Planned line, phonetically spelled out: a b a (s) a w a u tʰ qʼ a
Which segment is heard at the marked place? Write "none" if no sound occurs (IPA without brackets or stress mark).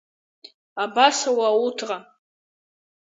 s